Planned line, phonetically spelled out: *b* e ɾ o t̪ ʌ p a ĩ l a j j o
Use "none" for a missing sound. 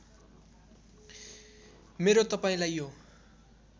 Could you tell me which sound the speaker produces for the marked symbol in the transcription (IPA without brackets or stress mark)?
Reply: m